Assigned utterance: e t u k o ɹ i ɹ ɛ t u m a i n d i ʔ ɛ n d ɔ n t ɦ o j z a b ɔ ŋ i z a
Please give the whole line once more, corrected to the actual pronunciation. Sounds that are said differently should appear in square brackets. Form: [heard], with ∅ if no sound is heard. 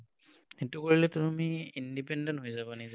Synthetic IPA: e t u k o ɹ i [l] ɛ t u m [i] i n d i [p] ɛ n d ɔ n t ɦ o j z a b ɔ [n] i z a